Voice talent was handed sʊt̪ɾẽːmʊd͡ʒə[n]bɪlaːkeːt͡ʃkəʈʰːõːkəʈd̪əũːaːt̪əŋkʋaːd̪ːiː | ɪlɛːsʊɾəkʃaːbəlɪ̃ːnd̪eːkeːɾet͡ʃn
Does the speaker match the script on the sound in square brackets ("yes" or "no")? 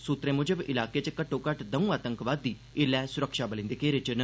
no